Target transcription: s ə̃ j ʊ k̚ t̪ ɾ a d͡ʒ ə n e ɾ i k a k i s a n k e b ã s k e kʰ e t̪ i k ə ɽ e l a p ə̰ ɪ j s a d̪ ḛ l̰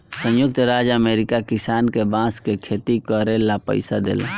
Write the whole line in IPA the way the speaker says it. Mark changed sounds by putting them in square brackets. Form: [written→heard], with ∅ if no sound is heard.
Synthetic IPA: s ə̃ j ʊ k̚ t̪ ɾ a d͡ʒ ə [n→m] e ɾ i k a k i s a n k e b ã s k e kʰ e t̪ i k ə [ɽ→ɾ] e l a p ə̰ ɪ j s a d̪ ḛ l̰